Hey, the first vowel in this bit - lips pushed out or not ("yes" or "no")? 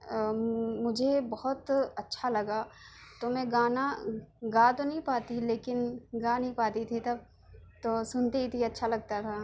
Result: yes